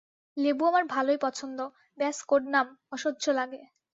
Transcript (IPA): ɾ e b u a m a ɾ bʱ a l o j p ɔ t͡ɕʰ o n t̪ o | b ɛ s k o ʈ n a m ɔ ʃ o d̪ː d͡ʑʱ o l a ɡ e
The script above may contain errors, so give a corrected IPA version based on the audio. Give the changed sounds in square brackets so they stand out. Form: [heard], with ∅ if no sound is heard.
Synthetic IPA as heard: [l] e b u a m a ɾ bʱ a l o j p ɔ t͡ɕʰ o n [d̪] o | b ɛ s k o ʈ n a m ɔ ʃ o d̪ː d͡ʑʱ o l a ɡ e